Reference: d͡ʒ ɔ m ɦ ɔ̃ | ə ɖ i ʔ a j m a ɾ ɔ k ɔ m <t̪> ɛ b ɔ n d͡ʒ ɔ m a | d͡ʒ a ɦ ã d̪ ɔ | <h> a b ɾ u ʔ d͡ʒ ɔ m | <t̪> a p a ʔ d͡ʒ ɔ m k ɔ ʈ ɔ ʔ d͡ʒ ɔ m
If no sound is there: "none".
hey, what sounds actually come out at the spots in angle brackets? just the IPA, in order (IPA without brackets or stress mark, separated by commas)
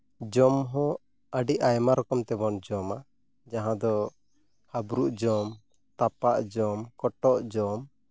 t̪, h, t̪